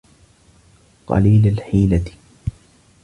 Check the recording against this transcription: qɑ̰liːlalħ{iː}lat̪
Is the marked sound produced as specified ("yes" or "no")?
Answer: yes